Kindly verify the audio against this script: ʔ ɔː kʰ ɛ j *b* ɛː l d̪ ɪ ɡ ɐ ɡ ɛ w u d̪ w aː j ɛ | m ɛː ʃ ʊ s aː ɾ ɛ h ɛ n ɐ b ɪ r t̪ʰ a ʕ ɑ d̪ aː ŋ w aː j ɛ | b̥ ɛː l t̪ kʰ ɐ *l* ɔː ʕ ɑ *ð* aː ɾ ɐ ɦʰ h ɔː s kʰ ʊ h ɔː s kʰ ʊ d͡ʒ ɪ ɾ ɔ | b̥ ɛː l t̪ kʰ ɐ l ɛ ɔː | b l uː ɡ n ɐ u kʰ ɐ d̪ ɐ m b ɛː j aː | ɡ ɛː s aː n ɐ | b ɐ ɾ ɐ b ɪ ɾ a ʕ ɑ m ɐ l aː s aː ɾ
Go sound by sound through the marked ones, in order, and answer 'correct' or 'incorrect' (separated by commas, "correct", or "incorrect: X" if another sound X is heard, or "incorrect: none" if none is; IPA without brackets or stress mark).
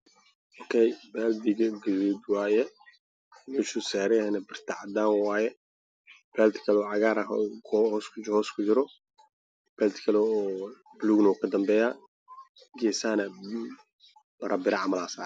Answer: correct, correct, incorrect: ɣ